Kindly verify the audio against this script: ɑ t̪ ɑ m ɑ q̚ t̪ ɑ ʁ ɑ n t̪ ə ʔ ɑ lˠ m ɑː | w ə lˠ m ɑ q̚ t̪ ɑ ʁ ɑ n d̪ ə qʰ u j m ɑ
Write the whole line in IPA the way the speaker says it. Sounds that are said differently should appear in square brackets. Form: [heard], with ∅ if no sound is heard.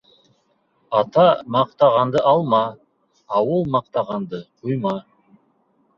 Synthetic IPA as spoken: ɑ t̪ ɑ m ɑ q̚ t̪ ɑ ʁ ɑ n [d̪] ə ʔ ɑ lˠ m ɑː | w ə lˠ m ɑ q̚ t̪ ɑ ʁ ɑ n d̪ ə qʰ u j m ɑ